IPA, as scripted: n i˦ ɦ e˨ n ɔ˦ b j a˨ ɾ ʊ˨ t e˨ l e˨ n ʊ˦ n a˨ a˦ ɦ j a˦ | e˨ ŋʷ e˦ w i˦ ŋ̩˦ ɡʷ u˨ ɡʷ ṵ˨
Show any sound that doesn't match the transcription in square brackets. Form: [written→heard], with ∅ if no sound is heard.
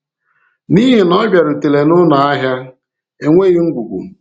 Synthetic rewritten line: n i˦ ɦ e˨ n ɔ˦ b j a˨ ɾ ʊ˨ t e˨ l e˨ n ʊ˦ n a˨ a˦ ɦ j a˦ | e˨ ŋʷ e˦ [w→ɣ] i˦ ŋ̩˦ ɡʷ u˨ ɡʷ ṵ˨